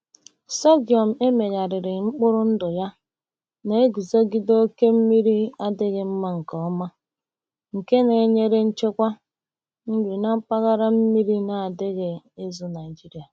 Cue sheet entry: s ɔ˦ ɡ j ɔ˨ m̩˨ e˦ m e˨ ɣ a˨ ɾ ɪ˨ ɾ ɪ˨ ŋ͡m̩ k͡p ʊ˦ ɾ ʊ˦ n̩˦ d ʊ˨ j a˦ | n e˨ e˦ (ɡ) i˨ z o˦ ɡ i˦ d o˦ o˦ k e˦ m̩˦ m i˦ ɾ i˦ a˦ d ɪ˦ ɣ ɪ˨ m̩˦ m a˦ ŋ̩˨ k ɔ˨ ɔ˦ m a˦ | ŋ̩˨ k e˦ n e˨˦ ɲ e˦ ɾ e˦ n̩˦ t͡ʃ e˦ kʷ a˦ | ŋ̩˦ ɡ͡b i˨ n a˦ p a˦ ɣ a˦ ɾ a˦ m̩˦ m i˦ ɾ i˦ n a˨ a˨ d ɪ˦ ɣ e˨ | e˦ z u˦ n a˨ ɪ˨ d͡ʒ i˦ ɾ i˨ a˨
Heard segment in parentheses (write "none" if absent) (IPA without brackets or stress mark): ɡ